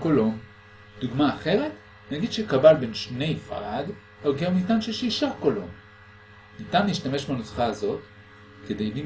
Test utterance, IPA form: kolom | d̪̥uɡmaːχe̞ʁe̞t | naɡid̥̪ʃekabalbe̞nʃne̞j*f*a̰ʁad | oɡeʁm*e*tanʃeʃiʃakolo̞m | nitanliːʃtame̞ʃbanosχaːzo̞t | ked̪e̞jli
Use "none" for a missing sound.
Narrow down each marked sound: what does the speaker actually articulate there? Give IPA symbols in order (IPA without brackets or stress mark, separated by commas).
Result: f, i